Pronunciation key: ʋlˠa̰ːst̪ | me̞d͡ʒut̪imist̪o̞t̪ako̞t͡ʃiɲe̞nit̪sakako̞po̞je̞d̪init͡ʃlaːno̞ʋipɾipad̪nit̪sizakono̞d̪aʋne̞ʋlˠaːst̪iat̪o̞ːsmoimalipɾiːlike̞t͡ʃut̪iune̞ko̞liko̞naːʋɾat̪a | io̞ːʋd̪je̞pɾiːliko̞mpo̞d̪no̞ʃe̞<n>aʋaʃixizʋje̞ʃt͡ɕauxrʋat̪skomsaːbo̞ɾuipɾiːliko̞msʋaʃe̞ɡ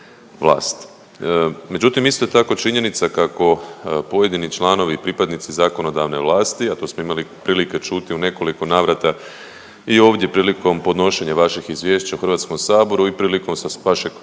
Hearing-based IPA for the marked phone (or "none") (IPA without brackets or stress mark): ɲ